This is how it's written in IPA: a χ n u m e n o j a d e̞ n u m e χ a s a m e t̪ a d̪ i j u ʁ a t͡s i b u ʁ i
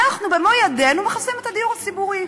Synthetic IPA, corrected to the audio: a χ n u b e m o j a d e̞ n u m e χ a s i m e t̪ a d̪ i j u ʁ a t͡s i b u ʁ i